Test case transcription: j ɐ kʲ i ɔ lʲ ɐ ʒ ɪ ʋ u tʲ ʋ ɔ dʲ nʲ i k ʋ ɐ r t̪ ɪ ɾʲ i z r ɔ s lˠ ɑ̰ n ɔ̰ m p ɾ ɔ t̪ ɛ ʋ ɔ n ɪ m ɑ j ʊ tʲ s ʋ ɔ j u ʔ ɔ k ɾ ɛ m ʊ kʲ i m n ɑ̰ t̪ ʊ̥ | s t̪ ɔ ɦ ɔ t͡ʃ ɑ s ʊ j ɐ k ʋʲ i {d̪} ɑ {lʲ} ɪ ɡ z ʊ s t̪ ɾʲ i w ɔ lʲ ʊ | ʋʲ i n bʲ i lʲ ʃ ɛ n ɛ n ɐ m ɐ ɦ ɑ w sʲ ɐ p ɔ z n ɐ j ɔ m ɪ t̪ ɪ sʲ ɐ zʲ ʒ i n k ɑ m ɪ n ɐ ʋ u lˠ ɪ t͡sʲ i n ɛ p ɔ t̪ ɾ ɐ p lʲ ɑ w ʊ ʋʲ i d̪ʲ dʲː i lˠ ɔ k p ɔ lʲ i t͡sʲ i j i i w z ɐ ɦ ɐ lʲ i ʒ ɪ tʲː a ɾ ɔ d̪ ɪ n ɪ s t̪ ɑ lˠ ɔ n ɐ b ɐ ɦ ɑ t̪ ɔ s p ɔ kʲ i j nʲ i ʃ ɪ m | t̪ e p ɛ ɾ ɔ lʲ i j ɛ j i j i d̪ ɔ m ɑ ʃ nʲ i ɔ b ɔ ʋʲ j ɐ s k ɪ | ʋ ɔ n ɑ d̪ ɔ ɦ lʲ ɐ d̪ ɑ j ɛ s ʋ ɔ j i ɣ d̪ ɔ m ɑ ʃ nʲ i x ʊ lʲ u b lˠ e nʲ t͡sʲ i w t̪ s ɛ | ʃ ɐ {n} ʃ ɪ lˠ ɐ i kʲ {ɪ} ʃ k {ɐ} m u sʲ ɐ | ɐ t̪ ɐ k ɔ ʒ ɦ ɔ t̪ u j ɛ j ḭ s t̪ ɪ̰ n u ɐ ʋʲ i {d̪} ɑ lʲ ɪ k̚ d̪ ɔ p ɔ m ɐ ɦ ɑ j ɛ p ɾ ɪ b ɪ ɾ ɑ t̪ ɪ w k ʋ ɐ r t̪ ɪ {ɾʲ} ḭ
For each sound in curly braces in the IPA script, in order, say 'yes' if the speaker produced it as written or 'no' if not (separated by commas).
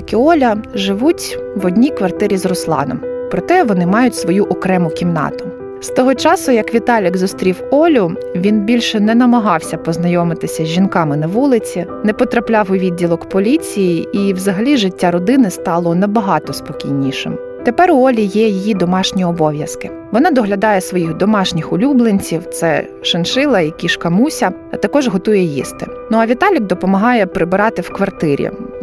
no, yes, yes, no, yes, no, yes